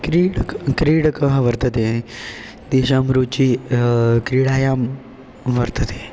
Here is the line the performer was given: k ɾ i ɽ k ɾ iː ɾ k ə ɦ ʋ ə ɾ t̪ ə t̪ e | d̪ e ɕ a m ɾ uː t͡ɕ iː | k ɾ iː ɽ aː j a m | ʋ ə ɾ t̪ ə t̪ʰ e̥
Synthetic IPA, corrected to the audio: k ɾ i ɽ k ɾ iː ɽ k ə ɦ ʋ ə ɾ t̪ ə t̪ e | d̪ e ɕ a m ɾ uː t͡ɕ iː | k ɾ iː ɽ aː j a m | ʋ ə ɾ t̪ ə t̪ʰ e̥